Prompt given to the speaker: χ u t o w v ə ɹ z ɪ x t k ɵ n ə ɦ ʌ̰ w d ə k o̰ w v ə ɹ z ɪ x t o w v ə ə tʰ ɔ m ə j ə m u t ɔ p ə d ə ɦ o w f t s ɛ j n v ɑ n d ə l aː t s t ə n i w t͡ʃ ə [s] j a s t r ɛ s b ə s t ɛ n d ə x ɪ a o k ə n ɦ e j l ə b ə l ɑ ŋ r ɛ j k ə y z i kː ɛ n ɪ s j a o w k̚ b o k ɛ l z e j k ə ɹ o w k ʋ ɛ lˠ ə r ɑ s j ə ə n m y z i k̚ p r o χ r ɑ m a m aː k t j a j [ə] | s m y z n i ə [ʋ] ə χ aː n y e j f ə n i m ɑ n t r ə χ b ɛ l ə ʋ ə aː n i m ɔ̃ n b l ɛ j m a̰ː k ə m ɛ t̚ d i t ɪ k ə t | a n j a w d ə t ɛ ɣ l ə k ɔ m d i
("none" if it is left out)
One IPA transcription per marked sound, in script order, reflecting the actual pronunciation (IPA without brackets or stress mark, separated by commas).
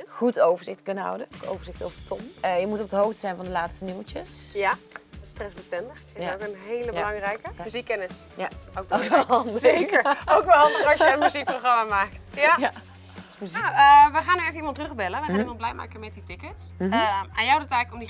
s, a, ʋ